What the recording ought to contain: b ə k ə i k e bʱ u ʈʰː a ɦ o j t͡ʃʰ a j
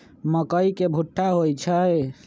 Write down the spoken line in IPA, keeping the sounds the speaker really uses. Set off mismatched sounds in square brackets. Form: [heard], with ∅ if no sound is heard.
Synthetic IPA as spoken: [m] ə k ə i k e bʱ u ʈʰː a ɦ o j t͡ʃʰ [ə] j